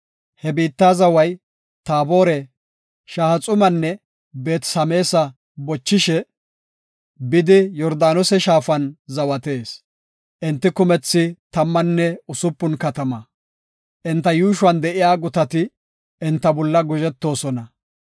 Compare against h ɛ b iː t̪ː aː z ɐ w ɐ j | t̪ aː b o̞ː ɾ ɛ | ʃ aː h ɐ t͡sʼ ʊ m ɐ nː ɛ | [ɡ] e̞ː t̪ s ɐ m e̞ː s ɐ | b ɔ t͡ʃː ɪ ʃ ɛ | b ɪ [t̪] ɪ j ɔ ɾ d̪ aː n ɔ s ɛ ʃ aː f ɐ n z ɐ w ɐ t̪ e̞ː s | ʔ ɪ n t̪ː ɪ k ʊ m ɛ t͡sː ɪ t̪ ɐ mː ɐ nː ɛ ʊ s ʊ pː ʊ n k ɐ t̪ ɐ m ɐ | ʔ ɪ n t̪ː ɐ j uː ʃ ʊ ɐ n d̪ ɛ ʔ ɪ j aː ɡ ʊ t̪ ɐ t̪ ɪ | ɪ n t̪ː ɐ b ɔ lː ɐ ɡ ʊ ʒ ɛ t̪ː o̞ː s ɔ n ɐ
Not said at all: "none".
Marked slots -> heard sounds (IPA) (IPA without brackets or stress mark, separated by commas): b, d̪